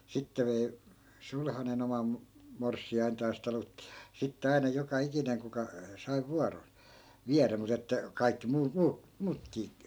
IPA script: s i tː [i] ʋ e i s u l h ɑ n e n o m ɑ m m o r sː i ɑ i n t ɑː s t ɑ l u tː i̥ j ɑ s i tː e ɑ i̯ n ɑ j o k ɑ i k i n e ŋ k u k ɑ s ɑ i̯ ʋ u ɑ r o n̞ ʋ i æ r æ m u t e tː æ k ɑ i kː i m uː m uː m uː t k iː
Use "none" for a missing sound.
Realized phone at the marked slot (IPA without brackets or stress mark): e